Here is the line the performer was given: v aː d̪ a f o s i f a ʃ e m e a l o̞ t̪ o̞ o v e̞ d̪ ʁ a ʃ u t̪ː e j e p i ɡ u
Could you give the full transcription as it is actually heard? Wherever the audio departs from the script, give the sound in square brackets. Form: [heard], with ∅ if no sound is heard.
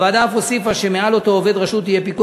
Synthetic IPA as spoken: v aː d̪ a f o s i f a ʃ e m e a l o̞ t̪ o̞ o v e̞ d̪ ʁ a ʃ u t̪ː [i] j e p i [k] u